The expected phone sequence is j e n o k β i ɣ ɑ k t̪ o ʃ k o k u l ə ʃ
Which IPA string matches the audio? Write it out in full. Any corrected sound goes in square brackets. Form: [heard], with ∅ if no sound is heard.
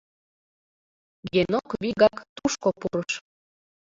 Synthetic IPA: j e n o k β i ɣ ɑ k t̪ [u] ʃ k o [p] u [ɾ] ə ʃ